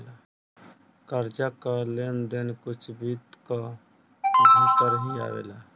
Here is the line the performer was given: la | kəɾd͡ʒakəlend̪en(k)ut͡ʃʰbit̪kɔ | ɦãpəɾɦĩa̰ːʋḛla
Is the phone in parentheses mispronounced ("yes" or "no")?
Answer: no